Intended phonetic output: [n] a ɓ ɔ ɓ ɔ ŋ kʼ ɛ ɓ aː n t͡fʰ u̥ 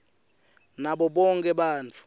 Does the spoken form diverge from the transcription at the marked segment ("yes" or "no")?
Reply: no